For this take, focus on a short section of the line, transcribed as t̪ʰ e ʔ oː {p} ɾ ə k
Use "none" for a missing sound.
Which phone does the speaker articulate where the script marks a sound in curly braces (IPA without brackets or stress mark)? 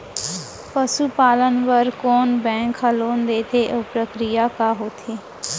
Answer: p